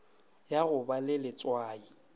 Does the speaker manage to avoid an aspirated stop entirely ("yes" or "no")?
yes